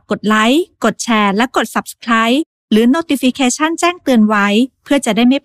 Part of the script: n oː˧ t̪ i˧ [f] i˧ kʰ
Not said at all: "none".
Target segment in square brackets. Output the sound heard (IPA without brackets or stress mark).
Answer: f